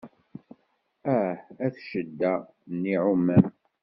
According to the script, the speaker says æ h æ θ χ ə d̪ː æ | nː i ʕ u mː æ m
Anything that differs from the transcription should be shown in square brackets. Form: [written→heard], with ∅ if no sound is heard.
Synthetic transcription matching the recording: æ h æ θ [χ→ʃ] ə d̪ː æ | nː i ʕ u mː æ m